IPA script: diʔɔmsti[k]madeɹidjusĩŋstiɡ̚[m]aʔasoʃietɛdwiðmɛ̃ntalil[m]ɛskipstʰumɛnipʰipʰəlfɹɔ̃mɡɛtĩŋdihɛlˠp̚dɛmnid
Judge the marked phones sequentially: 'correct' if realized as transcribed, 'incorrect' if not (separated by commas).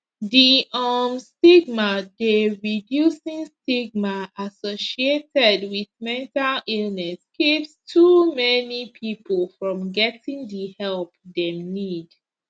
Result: incorrect, correct, incorrect